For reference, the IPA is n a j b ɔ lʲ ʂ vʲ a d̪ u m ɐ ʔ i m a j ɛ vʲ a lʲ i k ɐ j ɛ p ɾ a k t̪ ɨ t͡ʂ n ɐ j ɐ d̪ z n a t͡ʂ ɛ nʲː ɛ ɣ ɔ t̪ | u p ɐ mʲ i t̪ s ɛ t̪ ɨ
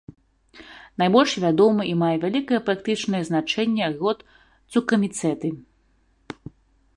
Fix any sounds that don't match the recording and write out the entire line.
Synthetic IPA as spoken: n a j b ɔ lʲ ʂ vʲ a d̪ ɔ m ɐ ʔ i m a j ɛ vʲ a lʲ i k ɐ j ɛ p ɾ a k t̪ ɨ t͡ʂ n ɐ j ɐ z n a t͡ʂ ɛ nʲː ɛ ɣ ɔ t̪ | u k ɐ mʲ i t̪ s ɛ t̪ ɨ